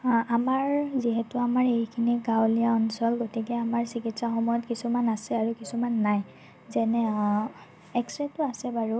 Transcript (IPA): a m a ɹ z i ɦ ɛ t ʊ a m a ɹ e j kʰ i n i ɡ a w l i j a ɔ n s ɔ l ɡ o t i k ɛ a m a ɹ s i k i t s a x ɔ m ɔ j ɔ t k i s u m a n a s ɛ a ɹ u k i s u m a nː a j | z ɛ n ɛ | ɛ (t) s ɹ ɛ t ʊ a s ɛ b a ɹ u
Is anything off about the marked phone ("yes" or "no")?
yes